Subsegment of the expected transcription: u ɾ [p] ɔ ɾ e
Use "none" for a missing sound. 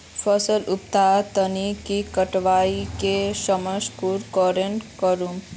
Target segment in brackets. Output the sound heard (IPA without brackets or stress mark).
k